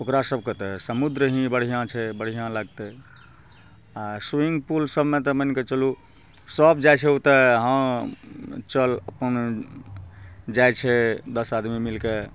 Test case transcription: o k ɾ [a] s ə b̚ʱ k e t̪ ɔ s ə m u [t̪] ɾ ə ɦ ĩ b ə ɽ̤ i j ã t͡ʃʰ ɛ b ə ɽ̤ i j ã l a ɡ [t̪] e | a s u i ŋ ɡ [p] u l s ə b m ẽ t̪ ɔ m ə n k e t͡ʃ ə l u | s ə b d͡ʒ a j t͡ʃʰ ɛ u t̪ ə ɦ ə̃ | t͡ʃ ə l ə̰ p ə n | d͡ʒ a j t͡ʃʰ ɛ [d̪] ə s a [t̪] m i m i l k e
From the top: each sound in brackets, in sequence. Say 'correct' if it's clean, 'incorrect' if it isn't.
correct, incorrect: d̪, correct, correct, correct, incorrect: d̪

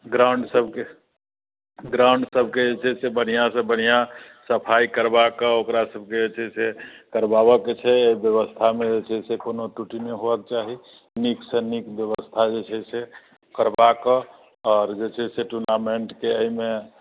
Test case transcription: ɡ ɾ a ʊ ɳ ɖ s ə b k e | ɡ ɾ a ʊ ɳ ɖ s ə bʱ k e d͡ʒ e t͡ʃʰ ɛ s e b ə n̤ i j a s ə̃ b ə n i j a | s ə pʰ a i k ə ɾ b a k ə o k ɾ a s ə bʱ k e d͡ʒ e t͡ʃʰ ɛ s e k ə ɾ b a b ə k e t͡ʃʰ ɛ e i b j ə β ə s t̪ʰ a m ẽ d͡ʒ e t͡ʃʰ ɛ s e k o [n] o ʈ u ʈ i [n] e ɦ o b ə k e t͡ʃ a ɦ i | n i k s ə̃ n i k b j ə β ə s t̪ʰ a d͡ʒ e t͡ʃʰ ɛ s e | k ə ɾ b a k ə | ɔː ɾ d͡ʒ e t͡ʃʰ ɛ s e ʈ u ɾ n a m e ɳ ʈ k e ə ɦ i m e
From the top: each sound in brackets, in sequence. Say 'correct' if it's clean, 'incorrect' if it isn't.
correct, correct

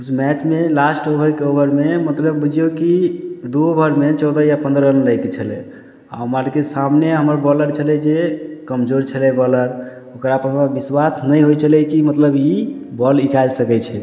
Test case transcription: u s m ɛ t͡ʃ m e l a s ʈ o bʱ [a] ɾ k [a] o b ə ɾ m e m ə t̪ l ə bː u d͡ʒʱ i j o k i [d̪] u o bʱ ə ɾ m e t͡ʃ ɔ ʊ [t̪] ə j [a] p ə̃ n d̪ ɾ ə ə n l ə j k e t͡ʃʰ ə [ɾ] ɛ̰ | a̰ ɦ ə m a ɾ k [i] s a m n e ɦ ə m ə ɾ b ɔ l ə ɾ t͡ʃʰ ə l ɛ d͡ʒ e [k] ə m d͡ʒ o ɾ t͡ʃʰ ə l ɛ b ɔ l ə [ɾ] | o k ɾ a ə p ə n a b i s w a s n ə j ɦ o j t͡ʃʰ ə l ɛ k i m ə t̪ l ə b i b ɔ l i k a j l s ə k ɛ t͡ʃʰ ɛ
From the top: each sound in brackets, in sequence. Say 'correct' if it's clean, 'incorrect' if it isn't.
incorrect: ə, incorrect: e, correct, incorrect: d̪, correct, incorrect: l, incorrect: e, correct, correct

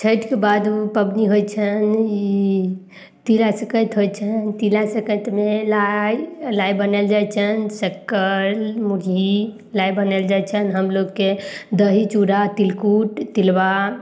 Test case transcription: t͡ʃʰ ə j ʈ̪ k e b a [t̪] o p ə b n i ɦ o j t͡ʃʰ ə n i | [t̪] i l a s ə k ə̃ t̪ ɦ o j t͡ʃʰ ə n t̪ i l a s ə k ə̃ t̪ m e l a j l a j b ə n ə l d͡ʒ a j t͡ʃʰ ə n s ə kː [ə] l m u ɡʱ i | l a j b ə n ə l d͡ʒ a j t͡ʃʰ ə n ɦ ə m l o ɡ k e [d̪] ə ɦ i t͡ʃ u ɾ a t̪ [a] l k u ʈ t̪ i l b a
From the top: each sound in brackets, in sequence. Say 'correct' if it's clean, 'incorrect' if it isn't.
incorrect: d̪, correct, correct, correct, incorrect: i

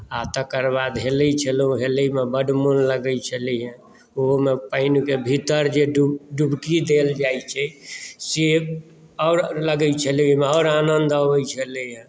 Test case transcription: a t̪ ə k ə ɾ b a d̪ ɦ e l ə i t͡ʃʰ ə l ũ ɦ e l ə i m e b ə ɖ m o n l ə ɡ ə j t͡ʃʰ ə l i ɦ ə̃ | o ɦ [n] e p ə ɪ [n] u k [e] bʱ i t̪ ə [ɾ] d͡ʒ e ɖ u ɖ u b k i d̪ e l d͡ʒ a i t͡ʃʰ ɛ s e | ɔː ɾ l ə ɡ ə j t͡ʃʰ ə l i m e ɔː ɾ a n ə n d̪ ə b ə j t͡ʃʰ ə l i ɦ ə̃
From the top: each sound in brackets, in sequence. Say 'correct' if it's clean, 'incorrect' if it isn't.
incorrect: m, correct, correct, correct

